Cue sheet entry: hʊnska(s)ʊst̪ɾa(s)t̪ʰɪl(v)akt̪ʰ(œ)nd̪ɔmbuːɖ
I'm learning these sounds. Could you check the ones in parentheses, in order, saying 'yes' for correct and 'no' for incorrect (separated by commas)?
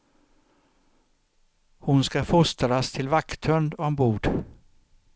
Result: no, yes, yes, yes